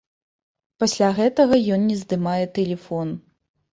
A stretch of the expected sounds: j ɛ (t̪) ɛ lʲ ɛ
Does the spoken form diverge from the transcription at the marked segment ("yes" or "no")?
no